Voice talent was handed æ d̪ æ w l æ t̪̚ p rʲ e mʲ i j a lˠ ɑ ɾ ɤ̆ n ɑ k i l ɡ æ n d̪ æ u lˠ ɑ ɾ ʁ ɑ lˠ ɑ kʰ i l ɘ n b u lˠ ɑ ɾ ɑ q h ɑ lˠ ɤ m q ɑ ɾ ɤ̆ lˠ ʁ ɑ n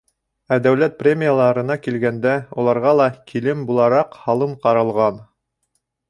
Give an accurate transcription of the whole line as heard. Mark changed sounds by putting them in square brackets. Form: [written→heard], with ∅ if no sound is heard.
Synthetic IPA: æ d̪ æ w l æ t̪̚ p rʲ e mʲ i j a lˠ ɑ ɾ ɤ̆ n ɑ k i l ɡ æ n d̪ æ u lˠ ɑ ɾ ʁ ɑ lˠ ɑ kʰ i l ɘ [n→m] b u lˠ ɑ ɾ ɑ q h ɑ lˠ ɤ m q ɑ ɾ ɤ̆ lˠ ʁ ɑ n

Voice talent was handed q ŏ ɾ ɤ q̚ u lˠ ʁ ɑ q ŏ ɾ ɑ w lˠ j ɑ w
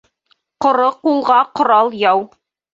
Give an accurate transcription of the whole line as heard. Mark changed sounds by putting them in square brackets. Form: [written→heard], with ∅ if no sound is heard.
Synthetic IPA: q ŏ ɾ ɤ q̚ u lˠ ʁ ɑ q ŏ ɾ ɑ [w→∅] lˠ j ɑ w

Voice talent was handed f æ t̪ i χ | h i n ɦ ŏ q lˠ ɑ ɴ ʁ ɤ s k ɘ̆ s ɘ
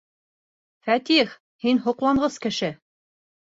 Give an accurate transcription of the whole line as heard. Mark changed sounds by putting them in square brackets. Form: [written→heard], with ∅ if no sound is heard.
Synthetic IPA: f æ t̪ i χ | h i n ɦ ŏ q lˠ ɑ ɴ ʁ ɤ s k ɘ̆ [s→ʃ] ɘ

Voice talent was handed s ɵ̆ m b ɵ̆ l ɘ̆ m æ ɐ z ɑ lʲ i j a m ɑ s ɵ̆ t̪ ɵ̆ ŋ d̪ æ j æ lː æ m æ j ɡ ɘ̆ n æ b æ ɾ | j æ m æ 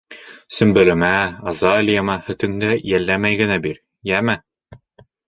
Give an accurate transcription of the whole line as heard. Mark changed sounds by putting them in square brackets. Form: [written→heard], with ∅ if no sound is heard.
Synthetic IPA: s ɵ̆ m b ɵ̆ l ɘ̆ m æ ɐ z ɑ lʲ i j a m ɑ [s→h] ɵ̆ t̪ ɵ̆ ŋ d̪ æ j æ lː æ m æ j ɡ ɘ̆ n æ b [æ→i] ɾ | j æ m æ

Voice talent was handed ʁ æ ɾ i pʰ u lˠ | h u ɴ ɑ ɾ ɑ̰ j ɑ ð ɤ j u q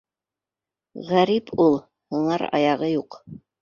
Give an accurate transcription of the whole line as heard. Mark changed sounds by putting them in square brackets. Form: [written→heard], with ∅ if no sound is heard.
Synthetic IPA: ʁ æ ɾ i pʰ u lˠ | h u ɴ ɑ ɾ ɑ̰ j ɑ [ð→ʁ] ɤ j u q

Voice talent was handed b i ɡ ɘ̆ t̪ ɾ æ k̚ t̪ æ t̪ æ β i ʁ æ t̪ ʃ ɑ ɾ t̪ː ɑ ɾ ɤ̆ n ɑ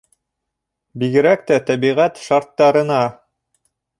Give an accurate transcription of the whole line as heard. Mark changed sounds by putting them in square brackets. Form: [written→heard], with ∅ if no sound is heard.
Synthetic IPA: b i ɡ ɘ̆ [t̪→∅] ɾ æ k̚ t̪ æ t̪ æ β i ʁ æ t̪ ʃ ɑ ɾ t̪ː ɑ ɾ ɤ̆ n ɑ

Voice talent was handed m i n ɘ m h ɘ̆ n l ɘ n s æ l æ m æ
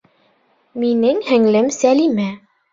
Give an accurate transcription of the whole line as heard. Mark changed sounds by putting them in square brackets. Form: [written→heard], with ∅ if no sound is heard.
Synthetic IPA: m i n ɘ [m→ŋ] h ɘ̆ [n→ŋ] l ɘ [n→m] s æ l [æ→i] m æ

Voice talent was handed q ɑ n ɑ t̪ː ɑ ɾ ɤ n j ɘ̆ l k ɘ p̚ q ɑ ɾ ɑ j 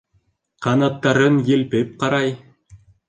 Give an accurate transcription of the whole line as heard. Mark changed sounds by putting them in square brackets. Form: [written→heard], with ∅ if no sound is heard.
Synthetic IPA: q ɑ n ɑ t̪ː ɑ ɾ ɤ n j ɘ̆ l [k→p] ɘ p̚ q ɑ ɾ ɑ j

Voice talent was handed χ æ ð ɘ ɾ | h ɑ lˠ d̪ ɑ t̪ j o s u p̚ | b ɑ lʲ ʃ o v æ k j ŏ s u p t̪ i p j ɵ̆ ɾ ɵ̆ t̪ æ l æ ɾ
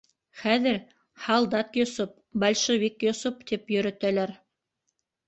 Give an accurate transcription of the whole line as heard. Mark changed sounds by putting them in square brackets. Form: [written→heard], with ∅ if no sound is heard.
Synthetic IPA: χ æ ð ɘ ɾ | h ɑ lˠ d̪ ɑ t̪ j o s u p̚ | b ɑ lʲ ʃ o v [æ→i] k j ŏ s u p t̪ i p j ɵ̆ ɾ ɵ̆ t̪ æ l æ ɾ

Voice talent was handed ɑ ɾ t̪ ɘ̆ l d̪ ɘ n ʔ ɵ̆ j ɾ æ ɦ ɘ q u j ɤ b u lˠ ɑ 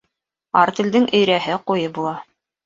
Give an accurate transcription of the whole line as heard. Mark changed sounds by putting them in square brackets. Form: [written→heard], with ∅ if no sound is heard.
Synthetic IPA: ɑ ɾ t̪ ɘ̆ l d̪ ɘ [n→ŋ] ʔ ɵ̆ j ɾ æ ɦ ɘ q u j ɤ b u lˠ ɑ

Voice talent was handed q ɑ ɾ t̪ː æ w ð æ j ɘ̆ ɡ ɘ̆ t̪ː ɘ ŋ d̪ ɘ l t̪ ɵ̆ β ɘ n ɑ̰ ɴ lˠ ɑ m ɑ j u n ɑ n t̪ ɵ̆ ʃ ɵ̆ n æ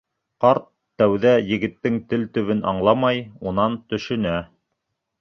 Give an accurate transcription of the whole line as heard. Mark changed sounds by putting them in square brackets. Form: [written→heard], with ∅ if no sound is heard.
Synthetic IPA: q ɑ ɾ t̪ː æ w ð æ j ɘ̆ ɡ ɘ̆ t̪ː ɘ ŋ [d̪→t̪] ɘ l t̪ ɵ̆ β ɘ n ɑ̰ ɴ lˠ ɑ m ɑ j u n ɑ n t̪ ɵ̆ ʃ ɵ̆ n æ

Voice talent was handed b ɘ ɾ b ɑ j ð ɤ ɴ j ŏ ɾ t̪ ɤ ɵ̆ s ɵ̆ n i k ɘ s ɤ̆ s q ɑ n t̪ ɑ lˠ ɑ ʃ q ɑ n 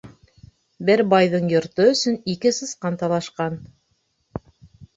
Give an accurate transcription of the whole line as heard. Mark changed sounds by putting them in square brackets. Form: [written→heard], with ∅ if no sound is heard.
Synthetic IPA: b ɘ ɾ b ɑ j ð ɤ ɴ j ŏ ɾ t̪ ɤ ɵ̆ s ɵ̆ n i k ɘ s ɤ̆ s q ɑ n t̪ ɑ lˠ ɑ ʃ q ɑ n

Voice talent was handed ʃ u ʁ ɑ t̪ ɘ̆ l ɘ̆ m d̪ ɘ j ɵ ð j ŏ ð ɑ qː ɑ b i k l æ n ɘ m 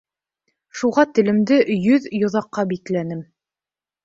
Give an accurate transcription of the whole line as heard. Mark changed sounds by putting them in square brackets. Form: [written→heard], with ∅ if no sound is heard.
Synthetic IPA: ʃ u ʁ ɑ t̪ ɘ̆ l ɘ̆ m d̪ ɘ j ɵ ð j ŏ ð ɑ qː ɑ b i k l æ n ɘ m

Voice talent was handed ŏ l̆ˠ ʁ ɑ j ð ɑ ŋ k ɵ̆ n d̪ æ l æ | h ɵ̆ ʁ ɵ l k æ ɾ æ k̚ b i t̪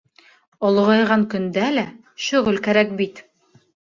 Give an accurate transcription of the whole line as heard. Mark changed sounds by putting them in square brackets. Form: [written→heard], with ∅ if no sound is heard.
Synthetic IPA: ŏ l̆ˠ ʁ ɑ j [ð→ʁ] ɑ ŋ k ɵ̆ n d̪ æ l æ | [h→ʃ] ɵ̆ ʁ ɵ l k æ ɾ æ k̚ b i t̪

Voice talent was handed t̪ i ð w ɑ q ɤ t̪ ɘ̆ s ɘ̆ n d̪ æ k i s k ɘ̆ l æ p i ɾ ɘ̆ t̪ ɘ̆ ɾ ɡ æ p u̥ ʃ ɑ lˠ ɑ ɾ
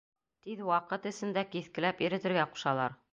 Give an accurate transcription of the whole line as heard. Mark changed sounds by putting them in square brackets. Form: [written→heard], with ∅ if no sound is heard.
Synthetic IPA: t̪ i ð w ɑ q ɤ t̪ ɘ̆ s ɘ̆ n d̪ æ k i [s→θ] k ɘ̆ l æ p i ɾ ɘ̆ t̪ ɘ̆ ɾ ɡ æ [p→q] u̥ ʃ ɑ lˠ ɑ ɾ

